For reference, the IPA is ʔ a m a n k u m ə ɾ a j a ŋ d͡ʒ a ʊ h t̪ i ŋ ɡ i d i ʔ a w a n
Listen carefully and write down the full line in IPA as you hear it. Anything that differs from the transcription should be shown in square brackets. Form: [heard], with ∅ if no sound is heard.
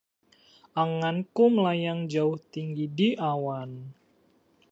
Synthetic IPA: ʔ a [ŋ] a n k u m ə [l] a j a ŋ d͡ʒ a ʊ h t̪ i ŋ ɡ i d i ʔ a w a n